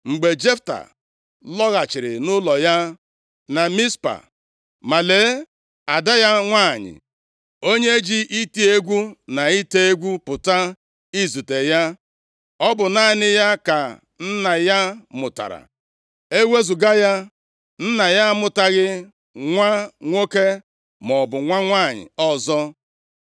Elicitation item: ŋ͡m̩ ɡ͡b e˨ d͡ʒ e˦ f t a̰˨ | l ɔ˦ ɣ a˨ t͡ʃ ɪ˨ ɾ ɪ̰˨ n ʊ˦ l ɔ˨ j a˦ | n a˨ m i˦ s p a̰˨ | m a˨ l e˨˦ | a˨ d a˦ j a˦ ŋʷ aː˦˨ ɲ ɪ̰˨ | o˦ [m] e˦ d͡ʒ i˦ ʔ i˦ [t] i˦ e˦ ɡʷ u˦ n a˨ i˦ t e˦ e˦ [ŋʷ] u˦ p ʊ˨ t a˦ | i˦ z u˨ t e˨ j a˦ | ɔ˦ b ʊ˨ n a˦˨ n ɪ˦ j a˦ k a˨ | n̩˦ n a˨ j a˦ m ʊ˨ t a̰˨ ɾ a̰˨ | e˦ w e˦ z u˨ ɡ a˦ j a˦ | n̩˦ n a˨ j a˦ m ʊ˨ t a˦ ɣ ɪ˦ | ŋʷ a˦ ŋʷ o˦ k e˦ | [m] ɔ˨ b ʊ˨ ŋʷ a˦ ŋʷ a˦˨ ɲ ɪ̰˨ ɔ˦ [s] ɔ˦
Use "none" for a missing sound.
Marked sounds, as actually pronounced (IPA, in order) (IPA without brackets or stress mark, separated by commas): ɲ, t, ɡʷ, m, z